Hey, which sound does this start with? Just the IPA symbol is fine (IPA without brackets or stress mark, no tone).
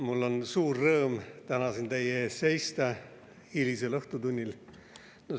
m